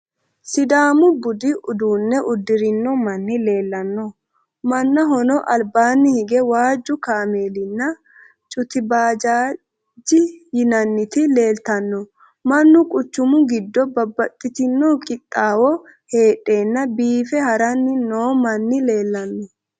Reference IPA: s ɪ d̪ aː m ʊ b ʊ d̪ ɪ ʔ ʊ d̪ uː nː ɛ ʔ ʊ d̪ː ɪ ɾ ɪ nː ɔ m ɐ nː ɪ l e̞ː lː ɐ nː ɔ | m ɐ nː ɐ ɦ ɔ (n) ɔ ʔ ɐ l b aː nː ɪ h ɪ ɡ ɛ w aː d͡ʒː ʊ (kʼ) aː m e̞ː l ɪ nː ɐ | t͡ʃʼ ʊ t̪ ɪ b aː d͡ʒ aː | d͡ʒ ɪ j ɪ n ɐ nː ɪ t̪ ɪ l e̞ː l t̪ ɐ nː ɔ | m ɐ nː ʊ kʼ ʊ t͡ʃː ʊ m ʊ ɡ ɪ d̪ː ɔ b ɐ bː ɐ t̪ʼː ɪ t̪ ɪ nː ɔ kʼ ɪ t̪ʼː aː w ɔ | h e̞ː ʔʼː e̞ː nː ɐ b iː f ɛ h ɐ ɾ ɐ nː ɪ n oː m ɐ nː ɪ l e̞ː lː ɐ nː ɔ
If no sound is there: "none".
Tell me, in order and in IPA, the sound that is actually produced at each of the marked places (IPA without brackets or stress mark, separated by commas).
n, k